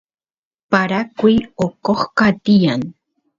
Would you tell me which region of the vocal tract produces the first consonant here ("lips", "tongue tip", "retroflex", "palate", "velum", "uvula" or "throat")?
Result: lips